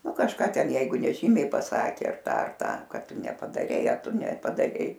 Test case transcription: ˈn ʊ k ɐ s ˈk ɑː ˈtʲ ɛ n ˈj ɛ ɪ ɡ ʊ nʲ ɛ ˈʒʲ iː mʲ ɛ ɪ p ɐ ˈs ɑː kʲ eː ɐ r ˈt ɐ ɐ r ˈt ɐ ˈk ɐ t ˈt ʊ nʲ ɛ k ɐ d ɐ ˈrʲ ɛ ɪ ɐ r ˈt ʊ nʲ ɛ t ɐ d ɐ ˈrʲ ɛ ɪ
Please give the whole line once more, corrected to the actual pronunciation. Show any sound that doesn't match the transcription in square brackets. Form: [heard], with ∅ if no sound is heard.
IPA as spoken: ˈn ʊ k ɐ [ʃ] ˈk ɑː ˈtʲ ɛ n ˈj ɛ ɪ ɡ ʊ nʲ ɛ ˈʒʲ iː mʲ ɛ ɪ p ɐ ˈs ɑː kʲ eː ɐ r ˈt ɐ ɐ r ˈt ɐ ˈk ɐ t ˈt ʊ nʲ ɛ [p] ɐ d ɐ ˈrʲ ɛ ɪ ɐ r ˈt ʊ nʲ ɛ [p] ɐ d ɐ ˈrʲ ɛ ɪ